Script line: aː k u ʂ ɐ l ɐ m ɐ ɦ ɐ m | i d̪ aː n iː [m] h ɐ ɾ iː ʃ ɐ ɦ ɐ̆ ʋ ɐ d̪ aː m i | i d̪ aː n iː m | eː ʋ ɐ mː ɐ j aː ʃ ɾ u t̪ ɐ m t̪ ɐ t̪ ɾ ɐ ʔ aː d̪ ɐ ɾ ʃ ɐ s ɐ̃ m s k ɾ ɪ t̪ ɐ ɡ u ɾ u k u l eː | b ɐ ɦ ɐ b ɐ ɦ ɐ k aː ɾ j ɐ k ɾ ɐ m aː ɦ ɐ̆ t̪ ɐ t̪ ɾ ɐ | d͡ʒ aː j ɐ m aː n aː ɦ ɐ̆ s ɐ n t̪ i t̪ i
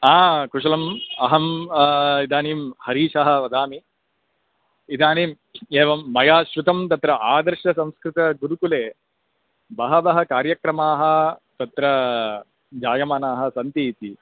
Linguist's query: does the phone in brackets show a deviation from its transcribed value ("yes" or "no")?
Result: no